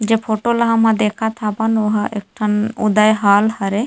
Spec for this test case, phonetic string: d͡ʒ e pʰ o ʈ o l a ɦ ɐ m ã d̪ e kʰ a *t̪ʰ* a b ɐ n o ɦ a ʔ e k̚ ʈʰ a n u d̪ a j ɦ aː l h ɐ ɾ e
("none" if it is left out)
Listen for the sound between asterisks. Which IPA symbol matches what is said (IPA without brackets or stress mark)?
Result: t̪ʰ